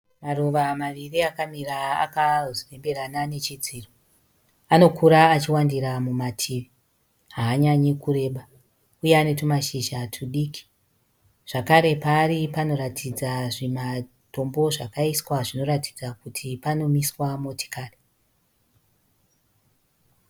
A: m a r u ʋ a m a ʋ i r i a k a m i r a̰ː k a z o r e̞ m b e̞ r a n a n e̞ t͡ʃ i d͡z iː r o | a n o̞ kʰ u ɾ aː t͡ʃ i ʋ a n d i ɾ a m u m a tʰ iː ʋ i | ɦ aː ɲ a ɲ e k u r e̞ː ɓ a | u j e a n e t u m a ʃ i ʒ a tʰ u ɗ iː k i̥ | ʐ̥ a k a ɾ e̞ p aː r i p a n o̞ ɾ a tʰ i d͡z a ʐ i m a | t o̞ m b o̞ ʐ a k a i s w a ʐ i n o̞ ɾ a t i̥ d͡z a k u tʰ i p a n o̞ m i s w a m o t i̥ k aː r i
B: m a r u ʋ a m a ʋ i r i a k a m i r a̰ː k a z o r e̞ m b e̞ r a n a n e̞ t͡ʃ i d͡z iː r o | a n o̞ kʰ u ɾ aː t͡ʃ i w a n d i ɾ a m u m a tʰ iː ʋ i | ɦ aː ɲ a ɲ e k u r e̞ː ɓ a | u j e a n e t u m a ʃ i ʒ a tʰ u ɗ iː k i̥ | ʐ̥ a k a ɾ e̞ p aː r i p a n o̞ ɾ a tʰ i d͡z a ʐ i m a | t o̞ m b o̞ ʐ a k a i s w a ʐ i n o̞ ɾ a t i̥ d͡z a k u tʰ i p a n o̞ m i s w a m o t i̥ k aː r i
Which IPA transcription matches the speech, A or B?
B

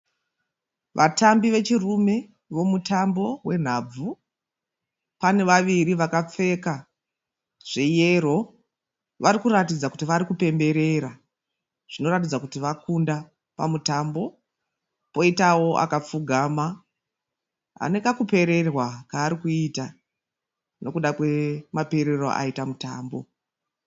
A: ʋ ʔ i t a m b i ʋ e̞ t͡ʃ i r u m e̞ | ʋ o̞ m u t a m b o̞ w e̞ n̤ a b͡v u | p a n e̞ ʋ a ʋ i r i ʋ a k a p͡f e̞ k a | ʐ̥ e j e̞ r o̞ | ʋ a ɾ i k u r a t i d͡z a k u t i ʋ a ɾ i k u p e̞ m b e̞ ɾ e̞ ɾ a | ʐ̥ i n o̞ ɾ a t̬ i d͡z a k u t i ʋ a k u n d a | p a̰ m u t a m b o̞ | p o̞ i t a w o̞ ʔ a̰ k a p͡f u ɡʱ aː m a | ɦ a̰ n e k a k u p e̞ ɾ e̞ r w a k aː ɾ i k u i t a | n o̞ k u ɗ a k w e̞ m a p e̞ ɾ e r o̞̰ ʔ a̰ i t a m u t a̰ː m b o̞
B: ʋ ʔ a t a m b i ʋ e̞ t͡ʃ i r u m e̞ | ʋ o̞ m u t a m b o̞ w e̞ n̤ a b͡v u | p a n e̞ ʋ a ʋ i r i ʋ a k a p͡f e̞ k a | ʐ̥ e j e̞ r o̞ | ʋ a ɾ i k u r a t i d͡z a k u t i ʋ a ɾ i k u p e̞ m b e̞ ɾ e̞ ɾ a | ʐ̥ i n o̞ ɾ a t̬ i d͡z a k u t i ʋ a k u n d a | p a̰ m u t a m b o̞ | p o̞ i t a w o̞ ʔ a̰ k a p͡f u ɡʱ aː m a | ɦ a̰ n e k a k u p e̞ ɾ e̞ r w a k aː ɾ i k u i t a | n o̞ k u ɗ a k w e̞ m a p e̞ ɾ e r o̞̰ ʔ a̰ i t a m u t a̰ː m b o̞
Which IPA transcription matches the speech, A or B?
B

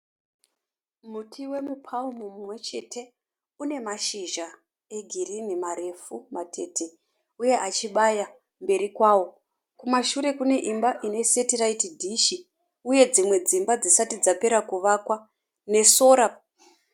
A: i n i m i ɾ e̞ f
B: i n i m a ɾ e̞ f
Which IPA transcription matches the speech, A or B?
B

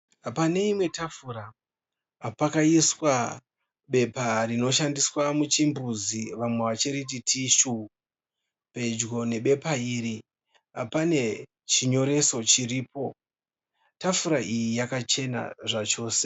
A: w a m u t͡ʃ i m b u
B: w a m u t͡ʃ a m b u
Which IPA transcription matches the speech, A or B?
A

